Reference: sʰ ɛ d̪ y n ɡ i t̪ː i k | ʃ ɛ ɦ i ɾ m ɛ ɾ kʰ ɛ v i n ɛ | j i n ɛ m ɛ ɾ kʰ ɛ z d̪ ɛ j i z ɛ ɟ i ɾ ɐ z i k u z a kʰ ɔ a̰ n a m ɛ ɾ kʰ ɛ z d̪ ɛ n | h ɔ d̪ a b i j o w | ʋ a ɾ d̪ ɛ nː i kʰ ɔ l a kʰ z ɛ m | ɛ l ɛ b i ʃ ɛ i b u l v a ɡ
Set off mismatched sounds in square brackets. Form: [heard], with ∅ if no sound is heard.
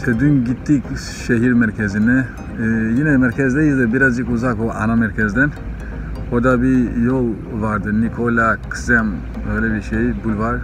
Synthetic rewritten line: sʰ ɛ d̪ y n ɡ i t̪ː i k | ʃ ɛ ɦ i ɾ m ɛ ɾ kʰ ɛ [z] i n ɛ | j i n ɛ m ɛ ɾ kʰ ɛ z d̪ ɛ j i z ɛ [b] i ɾ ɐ z i k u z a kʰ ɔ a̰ n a m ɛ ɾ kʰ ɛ z d̪ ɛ n | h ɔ d̪ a b i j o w | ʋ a ɾ d̪ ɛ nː i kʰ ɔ l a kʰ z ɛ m | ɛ l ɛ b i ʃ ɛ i b u l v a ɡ